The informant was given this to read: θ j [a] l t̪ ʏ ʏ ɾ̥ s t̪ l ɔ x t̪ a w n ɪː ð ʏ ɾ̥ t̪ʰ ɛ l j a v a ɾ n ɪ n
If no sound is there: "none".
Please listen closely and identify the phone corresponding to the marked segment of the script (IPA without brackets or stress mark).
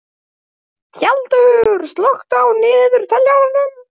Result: a